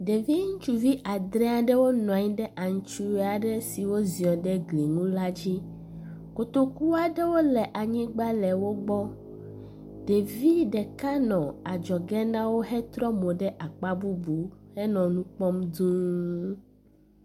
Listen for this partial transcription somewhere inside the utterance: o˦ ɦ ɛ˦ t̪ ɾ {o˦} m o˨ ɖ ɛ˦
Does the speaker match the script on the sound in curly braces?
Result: no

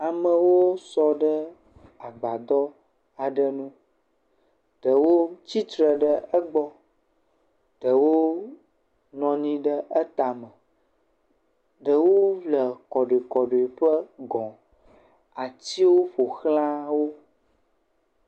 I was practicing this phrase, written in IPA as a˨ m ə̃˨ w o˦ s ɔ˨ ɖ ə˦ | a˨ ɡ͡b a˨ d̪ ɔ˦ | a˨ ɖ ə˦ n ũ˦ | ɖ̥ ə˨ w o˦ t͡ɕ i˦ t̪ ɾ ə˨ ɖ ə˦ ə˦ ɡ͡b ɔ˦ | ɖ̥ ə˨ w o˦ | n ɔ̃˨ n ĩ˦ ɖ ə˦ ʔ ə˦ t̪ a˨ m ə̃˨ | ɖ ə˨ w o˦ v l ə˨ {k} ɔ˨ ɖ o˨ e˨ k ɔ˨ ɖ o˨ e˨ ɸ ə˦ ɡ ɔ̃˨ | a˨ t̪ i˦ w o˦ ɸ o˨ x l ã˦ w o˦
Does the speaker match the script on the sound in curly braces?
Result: yes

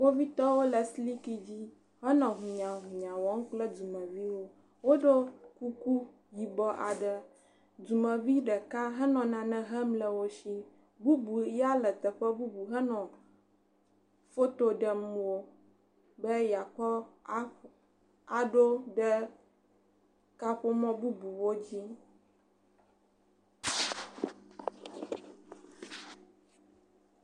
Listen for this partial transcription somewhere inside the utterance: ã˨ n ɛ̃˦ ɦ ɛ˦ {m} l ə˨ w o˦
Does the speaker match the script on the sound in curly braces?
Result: yes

